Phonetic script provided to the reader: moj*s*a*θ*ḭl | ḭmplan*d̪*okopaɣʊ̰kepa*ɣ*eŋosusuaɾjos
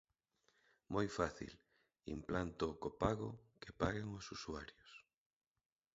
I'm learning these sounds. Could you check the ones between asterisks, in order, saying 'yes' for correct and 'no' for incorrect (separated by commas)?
no, yes, no, yes